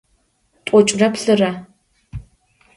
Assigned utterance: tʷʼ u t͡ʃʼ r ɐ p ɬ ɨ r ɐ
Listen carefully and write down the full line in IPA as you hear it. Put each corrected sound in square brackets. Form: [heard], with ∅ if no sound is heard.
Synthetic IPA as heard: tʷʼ [ɔ] t͡ʃʼ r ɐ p ɬ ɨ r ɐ